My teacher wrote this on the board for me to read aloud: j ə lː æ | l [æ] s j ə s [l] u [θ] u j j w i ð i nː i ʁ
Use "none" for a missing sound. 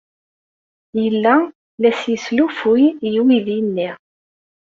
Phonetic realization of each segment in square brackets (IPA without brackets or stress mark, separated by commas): æ, l, f